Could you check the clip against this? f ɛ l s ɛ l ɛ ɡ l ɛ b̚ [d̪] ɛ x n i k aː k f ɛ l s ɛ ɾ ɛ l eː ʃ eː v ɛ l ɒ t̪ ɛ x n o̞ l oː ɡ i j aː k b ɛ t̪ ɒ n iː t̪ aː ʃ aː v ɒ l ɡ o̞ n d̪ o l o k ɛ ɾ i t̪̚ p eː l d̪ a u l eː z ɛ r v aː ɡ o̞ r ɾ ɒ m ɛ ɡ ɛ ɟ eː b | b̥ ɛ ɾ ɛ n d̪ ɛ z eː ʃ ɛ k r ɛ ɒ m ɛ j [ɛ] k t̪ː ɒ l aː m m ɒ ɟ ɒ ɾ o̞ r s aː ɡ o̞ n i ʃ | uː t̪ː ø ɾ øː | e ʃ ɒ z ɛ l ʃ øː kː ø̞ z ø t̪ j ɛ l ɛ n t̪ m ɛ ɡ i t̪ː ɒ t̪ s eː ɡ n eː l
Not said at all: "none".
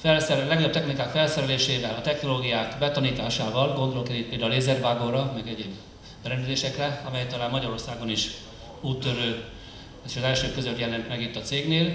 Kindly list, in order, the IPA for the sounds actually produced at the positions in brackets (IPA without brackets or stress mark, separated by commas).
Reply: t̪, ɛ